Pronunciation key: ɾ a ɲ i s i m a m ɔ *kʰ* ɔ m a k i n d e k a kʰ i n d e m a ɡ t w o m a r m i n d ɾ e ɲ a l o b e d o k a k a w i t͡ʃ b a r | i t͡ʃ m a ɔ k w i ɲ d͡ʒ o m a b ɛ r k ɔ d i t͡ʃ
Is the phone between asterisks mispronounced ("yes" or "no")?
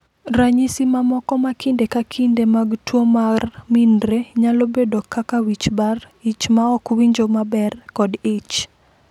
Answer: yes